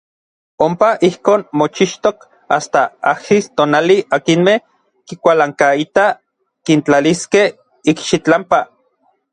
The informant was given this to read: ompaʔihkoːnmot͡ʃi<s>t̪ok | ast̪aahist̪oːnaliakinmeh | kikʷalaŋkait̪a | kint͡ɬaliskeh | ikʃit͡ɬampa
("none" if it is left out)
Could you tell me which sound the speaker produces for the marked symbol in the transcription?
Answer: ʃ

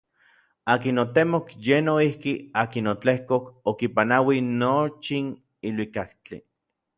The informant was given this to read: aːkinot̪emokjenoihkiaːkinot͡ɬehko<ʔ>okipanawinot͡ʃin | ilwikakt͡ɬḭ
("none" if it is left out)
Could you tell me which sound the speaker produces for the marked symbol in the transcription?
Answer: k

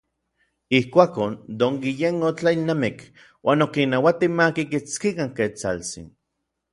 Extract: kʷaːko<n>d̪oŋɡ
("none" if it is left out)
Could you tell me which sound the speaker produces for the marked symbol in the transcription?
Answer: n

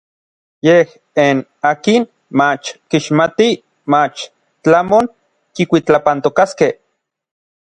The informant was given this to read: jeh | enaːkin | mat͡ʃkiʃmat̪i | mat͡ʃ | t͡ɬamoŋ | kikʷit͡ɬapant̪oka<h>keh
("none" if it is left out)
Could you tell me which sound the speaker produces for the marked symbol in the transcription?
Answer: s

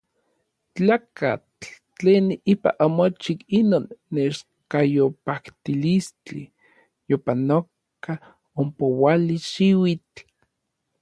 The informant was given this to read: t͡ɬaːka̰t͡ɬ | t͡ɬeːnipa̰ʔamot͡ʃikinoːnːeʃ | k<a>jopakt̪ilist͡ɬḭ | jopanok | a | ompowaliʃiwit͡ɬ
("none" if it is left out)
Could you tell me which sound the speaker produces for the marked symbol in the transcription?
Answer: a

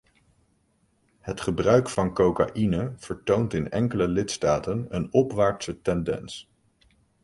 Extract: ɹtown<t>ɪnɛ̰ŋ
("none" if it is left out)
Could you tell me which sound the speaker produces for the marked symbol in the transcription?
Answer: t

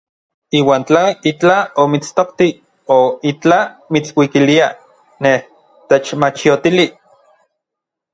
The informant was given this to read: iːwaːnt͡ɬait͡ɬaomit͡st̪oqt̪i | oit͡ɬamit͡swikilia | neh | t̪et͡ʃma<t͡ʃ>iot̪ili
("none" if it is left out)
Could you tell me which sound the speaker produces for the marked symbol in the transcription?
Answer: t͡ʃ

